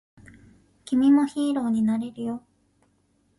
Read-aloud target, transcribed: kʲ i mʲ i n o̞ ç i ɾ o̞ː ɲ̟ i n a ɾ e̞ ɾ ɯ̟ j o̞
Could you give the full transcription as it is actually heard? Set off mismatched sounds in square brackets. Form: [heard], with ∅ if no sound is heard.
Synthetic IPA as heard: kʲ i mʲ i [m] o̞ ç [iː] ɾ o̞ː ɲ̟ i n a ɾ e̞ ɾ ɯ̟ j o̞